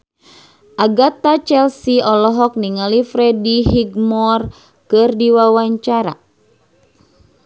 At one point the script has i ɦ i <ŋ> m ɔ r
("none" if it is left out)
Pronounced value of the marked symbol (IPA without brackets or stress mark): ɡ